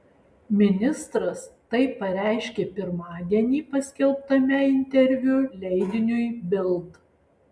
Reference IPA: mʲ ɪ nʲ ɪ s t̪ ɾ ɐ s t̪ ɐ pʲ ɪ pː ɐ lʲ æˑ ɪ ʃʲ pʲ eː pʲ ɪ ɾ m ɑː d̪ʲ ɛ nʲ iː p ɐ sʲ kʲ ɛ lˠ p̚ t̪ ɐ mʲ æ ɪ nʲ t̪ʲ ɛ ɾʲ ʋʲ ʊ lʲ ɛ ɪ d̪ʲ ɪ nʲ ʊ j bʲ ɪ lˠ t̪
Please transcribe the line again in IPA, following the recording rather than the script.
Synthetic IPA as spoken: mʲ ɪ nʲ ɪ s t̪ ɾ ɐ s t̪ ɐ ɪ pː ɐ ɾʲ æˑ ɪ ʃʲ kʲ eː pʲ ɪ ɾ m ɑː d̪ʲ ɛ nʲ iː p ɐ sʲ kʲ ɛ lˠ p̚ t̪ ɐ mʲ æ ɪ nʲ t̪ʲ ɛ ɾʲ ʋʲ ʊ lʲ ɛ ɪ d̪ʲ ɪ nʲ ʊ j bʲ ɪ lˠ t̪